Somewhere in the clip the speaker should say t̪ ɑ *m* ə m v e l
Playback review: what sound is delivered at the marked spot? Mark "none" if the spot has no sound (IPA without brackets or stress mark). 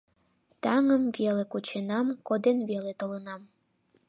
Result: ŋ